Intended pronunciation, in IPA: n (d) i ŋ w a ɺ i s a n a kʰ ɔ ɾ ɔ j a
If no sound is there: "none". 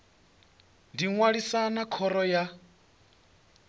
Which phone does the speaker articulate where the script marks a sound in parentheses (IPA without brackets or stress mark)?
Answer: d